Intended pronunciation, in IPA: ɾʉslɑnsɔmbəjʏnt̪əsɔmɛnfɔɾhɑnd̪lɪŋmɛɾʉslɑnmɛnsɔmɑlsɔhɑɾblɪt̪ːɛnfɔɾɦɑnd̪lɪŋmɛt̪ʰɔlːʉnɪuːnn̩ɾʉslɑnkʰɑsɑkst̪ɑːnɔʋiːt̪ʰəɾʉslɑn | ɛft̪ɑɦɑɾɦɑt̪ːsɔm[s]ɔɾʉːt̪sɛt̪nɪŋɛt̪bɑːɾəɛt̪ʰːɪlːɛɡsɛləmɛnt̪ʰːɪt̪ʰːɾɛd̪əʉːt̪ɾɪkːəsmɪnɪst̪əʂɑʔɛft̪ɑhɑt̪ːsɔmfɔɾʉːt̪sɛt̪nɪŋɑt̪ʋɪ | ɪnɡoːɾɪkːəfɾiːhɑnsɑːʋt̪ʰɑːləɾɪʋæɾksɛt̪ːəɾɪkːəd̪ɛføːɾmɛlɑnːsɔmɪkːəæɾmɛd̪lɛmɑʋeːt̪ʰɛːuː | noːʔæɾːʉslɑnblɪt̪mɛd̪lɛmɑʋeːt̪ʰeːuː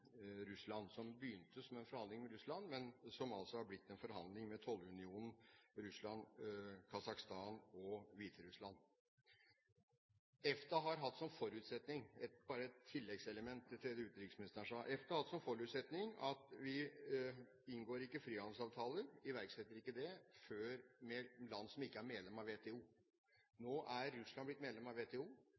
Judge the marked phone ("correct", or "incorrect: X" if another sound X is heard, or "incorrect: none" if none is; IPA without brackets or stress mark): incorrect: f